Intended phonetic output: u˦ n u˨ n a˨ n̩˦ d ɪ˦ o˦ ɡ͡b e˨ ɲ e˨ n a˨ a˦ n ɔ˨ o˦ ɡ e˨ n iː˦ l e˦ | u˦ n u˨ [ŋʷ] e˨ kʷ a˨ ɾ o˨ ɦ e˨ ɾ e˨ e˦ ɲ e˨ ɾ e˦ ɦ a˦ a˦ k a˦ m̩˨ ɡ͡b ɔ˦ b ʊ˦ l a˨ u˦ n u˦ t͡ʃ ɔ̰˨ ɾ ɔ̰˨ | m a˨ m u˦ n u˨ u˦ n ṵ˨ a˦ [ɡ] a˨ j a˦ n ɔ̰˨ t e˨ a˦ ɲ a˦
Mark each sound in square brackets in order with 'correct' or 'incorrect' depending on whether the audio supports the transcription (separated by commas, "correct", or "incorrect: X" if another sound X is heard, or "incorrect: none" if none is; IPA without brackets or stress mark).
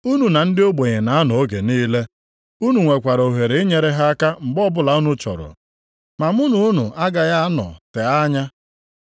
correct, correct